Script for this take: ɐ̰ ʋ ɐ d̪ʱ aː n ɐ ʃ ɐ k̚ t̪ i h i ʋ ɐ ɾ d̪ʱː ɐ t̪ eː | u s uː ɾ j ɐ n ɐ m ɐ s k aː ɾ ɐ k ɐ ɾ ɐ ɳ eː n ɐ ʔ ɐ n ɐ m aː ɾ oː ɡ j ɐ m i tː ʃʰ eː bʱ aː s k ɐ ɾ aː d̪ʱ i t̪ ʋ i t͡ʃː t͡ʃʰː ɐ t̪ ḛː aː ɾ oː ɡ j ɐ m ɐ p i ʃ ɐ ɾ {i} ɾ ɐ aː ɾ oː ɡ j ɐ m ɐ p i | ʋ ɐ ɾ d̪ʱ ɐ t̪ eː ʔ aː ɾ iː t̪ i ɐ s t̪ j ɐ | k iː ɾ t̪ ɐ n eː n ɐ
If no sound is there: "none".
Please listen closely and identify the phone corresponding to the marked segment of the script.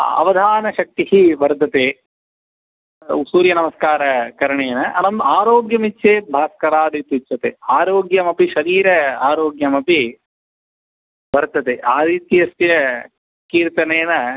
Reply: iː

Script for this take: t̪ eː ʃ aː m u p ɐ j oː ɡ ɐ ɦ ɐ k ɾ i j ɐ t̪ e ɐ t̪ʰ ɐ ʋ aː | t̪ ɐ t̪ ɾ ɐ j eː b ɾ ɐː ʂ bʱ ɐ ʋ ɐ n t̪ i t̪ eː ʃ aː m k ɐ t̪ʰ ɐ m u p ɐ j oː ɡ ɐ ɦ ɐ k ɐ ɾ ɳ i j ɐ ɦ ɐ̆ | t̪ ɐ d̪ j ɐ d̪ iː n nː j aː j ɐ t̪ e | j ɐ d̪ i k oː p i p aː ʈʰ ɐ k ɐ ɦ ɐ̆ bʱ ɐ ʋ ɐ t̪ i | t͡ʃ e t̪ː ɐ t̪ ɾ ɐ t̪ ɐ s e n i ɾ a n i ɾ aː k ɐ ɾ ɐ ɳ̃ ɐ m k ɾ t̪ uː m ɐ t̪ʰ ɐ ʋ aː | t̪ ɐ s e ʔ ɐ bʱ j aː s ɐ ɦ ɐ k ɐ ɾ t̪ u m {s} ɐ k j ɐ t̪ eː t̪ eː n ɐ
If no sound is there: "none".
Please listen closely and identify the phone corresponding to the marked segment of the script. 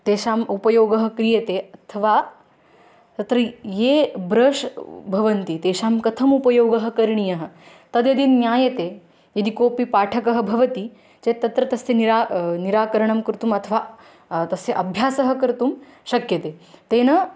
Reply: ʃ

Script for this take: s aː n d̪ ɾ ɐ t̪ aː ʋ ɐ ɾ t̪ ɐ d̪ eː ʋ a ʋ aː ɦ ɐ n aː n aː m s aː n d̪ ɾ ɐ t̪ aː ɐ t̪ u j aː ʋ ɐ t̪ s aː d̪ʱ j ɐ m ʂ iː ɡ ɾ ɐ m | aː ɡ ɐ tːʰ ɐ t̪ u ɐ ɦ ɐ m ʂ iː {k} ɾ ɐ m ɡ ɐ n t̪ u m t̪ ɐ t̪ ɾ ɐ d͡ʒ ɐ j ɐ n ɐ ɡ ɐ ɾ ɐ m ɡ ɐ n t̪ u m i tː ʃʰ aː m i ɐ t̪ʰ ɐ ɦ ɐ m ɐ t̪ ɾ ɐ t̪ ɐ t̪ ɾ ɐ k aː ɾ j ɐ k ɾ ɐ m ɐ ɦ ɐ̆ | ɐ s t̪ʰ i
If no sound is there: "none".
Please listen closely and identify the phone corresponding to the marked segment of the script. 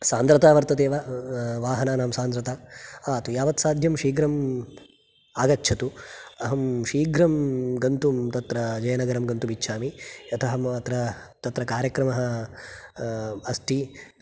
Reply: ɡ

